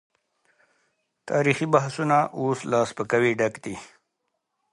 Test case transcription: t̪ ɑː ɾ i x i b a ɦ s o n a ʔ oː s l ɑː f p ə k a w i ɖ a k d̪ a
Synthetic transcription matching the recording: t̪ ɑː ɾ i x i b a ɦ s u n a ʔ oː s l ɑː s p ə k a w i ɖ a k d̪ i